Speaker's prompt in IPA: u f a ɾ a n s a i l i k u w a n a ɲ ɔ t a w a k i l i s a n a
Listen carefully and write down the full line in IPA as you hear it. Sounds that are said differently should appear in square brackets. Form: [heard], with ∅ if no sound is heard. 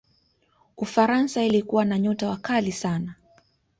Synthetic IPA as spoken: u f a ɾ a n s a i l i k u w a n a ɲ ɔ t a w a k [a] l i s a n a